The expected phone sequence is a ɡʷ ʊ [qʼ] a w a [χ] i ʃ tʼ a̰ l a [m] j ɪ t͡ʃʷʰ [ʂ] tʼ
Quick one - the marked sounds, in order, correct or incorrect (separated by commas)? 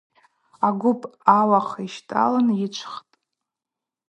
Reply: incorrect, correct, incorrect, incorrect